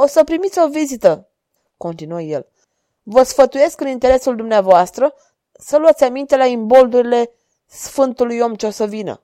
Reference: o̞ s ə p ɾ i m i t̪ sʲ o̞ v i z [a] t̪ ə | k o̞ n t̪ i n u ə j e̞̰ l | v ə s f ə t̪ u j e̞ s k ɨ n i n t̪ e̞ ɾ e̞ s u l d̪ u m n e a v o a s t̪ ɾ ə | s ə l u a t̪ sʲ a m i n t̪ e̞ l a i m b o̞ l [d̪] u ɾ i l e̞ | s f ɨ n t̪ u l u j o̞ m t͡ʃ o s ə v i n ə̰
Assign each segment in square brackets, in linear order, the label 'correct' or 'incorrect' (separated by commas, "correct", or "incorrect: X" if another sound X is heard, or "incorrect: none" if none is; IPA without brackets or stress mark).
incorrect: i, correct